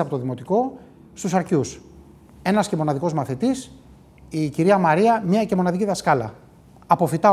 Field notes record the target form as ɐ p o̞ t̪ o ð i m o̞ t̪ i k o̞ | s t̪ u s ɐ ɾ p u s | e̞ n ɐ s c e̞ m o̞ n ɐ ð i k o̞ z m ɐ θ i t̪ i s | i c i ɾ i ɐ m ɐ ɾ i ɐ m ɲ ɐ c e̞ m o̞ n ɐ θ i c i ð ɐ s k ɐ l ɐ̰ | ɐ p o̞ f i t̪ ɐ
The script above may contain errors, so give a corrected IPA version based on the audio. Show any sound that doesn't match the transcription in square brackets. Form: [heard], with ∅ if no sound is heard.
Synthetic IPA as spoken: ɐ p o̞ t̪ o ð i m o̞ t̪ i k o̞ | s t̪ u s ɐ ɾ [c] u s | e̞ n ɐ s c e̞ m o̞ n ɐ ð i k o̞ z m ɐ θ i t̪ i s | i c i ɾ i ɐ m ɐ ɾ i ɐ m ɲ ɐ c e̞ m o̞ n ɐ [ð] i c i ð ɐ s k ɐ l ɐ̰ | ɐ p o̞ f i t̪ ɐ